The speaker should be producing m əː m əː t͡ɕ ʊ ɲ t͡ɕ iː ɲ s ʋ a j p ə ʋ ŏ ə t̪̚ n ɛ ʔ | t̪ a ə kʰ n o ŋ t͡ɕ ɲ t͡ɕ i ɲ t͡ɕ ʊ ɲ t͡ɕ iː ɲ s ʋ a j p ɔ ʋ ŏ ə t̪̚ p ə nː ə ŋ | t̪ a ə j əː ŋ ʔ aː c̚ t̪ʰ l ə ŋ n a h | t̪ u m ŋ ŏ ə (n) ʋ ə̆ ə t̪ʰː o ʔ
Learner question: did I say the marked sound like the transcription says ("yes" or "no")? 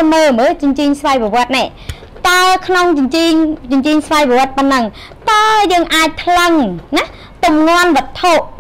yes